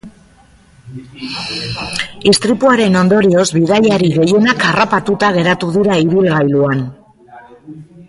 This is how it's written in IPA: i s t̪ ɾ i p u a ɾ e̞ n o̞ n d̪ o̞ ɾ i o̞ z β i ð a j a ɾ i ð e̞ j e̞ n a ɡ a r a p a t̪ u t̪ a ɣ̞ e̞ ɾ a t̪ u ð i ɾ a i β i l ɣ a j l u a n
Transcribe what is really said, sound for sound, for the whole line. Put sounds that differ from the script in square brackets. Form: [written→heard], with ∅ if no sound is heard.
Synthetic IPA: i s t̪ ɾ i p u a ɾ e̞ n o̞ n d̪ o̞ ɾ i o̞ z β i ð a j a ɾ i [ð→ɣ] e̞ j e̞ n a [ɡ→k] a r a p a t̪ u t̪ a ɣ̞ e̞ ɾ a t̪ u ð i ɾ a i β i l ɣ a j l u a n